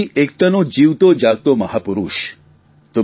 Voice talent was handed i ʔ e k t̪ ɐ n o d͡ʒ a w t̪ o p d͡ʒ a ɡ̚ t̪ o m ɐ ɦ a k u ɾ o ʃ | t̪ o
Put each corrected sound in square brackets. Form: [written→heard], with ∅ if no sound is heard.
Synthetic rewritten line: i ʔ e k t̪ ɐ n o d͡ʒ [a→i] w t̪ o [p→∅] d͡ʒ a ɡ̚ t̪ o m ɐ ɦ a [k→p] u ɾ [o→u] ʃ | t̪ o

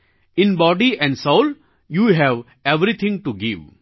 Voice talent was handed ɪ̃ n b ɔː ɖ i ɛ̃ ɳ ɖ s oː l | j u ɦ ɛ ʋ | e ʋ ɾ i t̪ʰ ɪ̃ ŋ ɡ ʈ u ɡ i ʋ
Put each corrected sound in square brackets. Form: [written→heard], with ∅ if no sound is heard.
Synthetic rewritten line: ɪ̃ n b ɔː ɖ i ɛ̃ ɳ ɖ s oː l | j u ɦ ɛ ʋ | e ʋ ɾ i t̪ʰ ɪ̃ ŋ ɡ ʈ u ɡ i ʋ

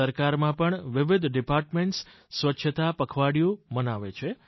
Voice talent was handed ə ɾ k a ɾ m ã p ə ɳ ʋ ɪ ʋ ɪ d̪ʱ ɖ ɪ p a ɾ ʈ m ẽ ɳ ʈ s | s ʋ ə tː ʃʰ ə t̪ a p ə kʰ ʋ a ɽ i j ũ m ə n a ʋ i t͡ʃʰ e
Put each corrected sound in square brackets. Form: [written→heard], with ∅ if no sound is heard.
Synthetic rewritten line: ə ɾ k a ɾ m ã p ə ɳ ʋ ɪ ʋ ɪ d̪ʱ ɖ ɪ p a ɾ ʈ m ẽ ɳ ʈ s | s ʋ ə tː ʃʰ ə t̪ a p ə kʰ ʋ a ɽ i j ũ m ə n a ʋ [i→e] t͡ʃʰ e

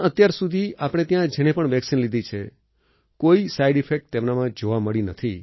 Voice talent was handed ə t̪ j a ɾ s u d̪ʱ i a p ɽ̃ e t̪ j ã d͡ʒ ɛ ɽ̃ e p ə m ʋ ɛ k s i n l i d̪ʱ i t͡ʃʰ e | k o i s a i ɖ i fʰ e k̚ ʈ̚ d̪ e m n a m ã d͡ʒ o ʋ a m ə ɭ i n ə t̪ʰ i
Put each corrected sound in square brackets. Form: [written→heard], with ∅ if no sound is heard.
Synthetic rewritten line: ə t̪ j a ɾ s u d̪ʱ i a p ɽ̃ e t̪ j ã d͡ʒ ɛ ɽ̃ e p ə [m→ɳ] ʋ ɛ k s i n l i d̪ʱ i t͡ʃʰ e | k o i s a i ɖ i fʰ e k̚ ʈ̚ [d̪→t̪] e m n a m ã d͡ʒ o ʋ a m ə ɭ i n ə t̪ʰ i

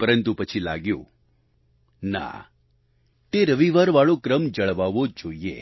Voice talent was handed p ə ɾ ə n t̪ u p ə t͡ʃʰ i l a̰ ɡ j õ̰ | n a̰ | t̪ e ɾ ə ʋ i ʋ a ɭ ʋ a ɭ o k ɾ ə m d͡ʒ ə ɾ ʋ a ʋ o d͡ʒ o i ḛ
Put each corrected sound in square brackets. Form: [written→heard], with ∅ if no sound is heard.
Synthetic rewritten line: p ə ɾ ə n t̪ u p ə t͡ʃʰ i l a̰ ɡ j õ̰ | n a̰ | t̪ e ɾ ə ʋ i ʋ a [ɭ→ɾ] ʋ a ɭ o k ɾ ə m d͡ʒ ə [ɾ→ɭ] ʋ a ʋ o d͡ʒ o i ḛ

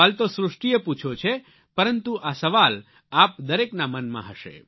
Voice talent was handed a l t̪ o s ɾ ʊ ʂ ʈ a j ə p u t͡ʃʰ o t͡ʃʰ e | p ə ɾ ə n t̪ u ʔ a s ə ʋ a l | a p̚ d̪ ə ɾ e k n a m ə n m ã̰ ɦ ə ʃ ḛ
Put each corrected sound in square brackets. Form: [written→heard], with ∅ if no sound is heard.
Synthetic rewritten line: a l t̪ o s ɾ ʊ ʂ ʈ [a→i] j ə p u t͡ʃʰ o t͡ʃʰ e | p ə ɾ ə n t̪ u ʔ a s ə ʋ a l | a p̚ d̪ ə ɾ e k n a m ə n m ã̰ ɦ ə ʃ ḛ

